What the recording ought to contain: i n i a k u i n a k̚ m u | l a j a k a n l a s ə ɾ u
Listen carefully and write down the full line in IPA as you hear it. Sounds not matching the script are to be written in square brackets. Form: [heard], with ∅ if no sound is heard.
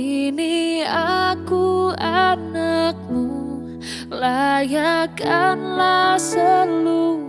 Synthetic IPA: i n i a k u [a] n a k̚ m u | l a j a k a n l a s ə [l] u

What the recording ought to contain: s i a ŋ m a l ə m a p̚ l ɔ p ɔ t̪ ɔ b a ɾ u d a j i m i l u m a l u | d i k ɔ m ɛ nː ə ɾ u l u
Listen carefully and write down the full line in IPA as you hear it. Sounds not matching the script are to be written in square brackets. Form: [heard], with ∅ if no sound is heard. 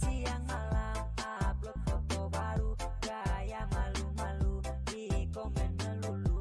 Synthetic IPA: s i a ŋ m a l [a] m a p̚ l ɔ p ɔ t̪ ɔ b a ɾ u [ɡ] a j [a] m [a] l u m a l u | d i k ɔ m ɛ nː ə [l] u l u

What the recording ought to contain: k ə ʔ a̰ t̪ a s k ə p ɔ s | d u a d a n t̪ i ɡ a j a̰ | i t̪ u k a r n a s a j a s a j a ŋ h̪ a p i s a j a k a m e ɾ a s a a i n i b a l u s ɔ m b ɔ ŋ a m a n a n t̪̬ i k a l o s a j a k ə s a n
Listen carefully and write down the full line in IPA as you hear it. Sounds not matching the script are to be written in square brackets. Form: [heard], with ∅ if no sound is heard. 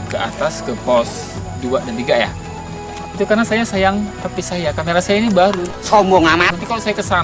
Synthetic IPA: k ə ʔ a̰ t̪ a s k ə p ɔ s | d u a d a n t̪ i ɡ a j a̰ | i t̪ u k a r n a s a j a s a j a ŋ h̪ a p i s a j a k a m e ɾ a s a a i n i b a [ɾ] u s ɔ m b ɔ ŋ a m a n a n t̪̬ i k a l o s a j a k ə s a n

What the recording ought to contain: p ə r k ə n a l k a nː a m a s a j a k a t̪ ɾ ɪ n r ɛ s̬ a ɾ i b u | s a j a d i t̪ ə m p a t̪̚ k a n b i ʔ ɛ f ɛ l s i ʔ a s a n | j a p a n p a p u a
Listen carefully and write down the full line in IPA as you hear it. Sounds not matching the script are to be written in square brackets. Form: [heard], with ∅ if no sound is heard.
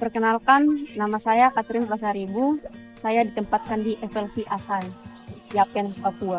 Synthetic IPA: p ə r k ə n a l k a nː a m a s a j a k a t̪ ɾ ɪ n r [a] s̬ a ɾ i b u | s a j a d i t̪ ə m p a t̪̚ k a n [d] i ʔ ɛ f ɛ l s i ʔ a s a n | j a p [ɛ] n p a p u a

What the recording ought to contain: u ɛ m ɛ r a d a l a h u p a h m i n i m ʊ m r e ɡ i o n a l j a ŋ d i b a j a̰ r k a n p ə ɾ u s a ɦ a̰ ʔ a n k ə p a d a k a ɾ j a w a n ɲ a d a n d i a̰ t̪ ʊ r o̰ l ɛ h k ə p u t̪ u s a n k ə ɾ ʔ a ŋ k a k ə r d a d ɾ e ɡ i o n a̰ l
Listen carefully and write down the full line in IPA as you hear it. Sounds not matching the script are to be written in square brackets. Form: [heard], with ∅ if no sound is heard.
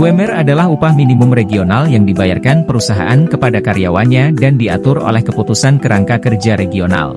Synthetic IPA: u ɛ m ɛ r a d a l a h u p a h m i n i m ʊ m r e ɡ i o n a l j a ŋ d i b a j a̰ r k a n p ə ɾ u s a ɦ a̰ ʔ a n k ə p a d a k a ɾ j a w a n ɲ a d a n d i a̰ t̪ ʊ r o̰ l ɛ h k ə p u t̪ u s a n k ə ɾ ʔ a ŋ k a k ə r [d͡ʒ] a [∅] ɾ e ɡ i o n a̰ l

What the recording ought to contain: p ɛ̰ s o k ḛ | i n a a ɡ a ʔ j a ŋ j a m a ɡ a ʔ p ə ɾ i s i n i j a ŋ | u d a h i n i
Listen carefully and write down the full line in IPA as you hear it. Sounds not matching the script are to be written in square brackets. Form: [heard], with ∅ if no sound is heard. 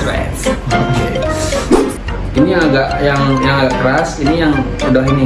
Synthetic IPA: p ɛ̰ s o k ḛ | i n [i] a ɡ a ʔ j a ŋ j a [ŋ] a ɡ a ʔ [k] ə ɾ [a] s i n i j a ŋ | u d a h i n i

